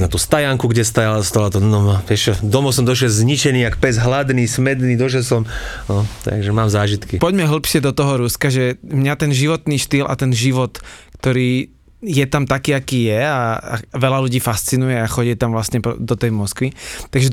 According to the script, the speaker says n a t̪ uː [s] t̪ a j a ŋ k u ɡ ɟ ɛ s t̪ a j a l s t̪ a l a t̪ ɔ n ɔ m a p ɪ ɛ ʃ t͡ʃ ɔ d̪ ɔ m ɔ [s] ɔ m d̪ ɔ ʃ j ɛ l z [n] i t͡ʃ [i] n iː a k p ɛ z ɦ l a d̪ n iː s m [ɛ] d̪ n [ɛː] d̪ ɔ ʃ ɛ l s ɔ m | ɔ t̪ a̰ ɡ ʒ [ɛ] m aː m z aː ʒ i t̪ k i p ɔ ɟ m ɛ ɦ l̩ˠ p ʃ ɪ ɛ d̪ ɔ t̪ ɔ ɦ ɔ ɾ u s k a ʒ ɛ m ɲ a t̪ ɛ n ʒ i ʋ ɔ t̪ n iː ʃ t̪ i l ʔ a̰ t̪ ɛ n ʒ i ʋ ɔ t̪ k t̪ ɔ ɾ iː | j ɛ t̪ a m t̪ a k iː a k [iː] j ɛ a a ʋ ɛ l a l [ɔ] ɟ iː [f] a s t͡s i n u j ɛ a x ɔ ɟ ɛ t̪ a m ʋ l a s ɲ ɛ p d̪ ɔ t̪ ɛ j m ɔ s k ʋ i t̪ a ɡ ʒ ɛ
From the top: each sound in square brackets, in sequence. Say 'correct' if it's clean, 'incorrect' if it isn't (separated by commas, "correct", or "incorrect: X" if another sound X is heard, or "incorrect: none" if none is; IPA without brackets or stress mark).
correct, correct, incorrect: ɲ, incorrect: ɛ, correct, incorrect: iː, correct, correct, incorrect: u, correct